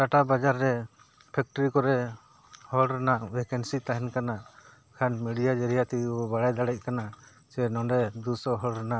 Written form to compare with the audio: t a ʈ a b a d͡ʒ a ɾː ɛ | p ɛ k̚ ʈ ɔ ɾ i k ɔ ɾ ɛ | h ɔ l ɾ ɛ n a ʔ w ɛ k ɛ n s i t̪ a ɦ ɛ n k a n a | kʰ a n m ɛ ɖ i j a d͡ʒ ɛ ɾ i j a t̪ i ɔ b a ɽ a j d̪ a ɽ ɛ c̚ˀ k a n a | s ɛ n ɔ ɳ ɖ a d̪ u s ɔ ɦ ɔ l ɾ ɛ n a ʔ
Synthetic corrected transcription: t a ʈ a b a d͡ʒ a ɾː ɛ | pʰ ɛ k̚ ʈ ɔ ɾ i k ɔ ɾ ɛ | h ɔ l ɾ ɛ n a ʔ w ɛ k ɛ n s i t̪ a ɦ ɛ n k a n a | kʰ a n m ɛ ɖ i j a d͡ʒ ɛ ɾ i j a t̪ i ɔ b a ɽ a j d̪ a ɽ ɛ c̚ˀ k a n a | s ɛ n ɔ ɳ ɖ ɛ d̪ u s ɔ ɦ ɔ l ɾ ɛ n a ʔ